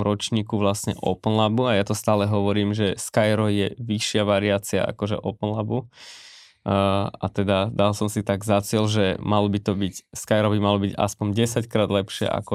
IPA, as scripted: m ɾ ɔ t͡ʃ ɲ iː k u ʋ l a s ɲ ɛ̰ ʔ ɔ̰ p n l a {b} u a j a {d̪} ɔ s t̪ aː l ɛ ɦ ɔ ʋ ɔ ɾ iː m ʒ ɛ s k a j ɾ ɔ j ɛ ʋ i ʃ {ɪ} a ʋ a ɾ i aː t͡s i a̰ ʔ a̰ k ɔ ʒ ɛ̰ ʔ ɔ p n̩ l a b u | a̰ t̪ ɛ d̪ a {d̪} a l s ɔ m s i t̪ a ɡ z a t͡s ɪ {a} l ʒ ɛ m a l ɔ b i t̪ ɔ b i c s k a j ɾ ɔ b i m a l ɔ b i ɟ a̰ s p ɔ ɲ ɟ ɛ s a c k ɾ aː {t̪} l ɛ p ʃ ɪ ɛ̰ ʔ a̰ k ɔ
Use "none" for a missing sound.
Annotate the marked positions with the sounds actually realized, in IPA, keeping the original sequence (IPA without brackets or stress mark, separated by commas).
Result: b, t̪, ɪ, d̪, ɛ, d̪